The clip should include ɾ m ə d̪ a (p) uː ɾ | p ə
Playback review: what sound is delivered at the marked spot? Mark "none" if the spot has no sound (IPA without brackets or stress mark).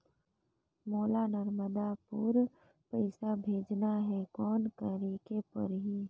p